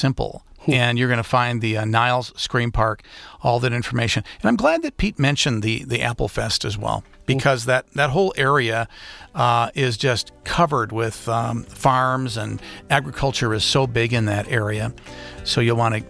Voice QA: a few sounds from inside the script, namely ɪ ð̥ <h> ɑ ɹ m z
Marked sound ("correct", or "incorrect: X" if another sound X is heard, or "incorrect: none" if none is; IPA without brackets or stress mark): incorrect: f